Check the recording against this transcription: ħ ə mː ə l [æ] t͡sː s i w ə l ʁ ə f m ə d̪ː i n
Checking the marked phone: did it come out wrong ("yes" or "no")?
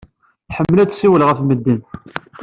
no